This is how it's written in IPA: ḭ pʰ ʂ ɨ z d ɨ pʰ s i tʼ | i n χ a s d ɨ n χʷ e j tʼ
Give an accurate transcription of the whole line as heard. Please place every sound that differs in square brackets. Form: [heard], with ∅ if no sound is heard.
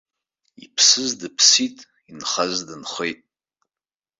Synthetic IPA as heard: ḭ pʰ [s] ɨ z d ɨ pʰ s i tʼ | i n χ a [z] d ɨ n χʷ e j tʼ